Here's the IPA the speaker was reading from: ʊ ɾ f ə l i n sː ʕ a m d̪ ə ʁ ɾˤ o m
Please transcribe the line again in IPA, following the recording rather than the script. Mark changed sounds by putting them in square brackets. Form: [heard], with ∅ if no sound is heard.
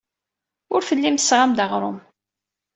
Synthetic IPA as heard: ʊ ɾ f ə [lː] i [m] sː [ʁ] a m d̪ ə ʁ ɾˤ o m